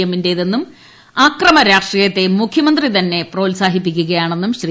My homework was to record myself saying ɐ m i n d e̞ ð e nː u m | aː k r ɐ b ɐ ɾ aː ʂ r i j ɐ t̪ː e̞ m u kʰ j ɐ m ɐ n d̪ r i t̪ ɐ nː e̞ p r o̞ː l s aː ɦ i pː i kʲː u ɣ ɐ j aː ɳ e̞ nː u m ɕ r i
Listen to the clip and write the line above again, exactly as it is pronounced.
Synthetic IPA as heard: ɐ m i n d e̞ ð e nː u m | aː k r ɐ m ɐ ɾ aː ʂ r i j ɐ t̪ː e̞ m u kʰ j ɐ m ɐ n d̪ r i t̪ ɐ nː e̞ p r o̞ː l s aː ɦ i pː i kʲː u ɣ ɐ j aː ɳ e̞ nː u m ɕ r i

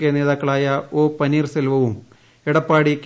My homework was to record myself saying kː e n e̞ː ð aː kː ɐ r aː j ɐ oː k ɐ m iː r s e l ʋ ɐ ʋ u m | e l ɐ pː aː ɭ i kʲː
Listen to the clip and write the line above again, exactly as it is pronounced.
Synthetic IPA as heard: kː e n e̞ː ð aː kː ɐ ɭ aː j ɐ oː p ɐ n iː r s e l ʋ ɐ ʋ u m | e ɽ ɐ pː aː ɽ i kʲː

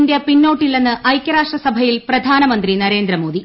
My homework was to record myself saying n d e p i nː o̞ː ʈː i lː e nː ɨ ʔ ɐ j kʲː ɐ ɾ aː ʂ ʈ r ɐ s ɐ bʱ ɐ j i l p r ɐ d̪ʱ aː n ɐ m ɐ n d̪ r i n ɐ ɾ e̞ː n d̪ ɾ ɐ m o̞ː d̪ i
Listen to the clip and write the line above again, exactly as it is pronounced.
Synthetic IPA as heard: n d e p i nː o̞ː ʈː i lː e nː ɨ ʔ ɐ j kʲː ɐ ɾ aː ʂ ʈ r ɐ s ɐ bʱ ɐ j i l p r ɐ d̪ʱ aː n ɐ m ɐ n d̪ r i n ɐ ɾ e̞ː n d̪ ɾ ɐ m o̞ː d̪ i

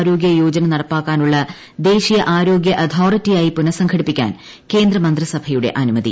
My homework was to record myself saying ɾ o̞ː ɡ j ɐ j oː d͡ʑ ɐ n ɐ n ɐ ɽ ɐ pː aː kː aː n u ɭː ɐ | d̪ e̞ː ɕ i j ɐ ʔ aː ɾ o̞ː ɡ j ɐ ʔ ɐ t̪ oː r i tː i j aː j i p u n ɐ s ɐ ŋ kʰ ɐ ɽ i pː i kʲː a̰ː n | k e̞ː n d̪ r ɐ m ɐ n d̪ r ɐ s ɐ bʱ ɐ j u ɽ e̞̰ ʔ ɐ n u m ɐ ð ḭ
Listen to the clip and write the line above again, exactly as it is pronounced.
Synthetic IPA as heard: ɾ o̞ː ɡ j ɐ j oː d͡ʑ ɐ n ɐ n ɐ ɽ ɐ pː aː kː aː n u ɭː ɐ | d̪ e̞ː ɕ i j ɐ ʔ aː ɾ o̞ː ɡ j ɐ ʔ ɐ t̪ʰ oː r i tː i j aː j i p u n ɐ s ɐ ŋ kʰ ɐ ɽ i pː i kʲː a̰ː n | k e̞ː n d̪ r ɐ m ɐ n d̪ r ɐ s ɐ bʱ ɐ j u ɽ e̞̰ ʔ ɐ n u m ɐ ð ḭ

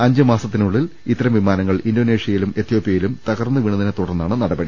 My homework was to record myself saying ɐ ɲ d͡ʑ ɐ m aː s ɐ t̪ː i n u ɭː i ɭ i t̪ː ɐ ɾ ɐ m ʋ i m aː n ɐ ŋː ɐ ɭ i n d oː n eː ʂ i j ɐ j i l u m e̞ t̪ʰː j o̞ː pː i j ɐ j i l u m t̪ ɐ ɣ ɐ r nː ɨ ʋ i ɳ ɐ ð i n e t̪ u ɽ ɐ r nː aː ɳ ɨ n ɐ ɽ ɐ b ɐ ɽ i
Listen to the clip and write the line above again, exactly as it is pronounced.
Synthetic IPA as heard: ɐ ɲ d͡ʑ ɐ m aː s ɐ t̪ː i n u ɭː i l i t̪ː ɐ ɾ ɐ m ʋ i m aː n ɐ ŋː ɐ ɭ i n d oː n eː ʂ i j ɐ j i l u m e̞ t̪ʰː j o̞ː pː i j ɐ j i l u m t̪ ɐ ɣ ɐ r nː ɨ ʋ i ɳ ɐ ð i n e t̪ u ɽ ɐ r nː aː ɳ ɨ n ɐ ɽ ɐ b ɐ ɽ i

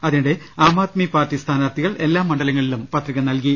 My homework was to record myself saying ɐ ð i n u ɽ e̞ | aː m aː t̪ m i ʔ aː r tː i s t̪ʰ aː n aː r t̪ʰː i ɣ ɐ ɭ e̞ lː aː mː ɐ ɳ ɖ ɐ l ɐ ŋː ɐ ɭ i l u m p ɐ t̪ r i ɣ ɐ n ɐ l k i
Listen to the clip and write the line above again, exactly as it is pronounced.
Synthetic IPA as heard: ɐ ð i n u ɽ e̞ | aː m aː t̪ m i p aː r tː i s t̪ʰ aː n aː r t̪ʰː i ɣ ɐ ɭ e̞ lː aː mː ɐ ɳ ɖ ɐ l ɐ ŋː ɐ ɭ i l u m p ɐ t̪ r i ɣ ɐ n ɐ l k i

